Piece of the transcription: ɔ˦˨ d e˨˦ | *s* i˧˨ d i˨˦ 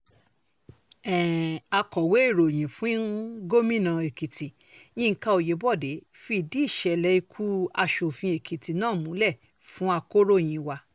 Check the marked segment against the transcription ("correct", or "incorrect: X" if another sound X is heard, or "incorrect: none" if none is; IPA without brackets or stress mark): incorrect: f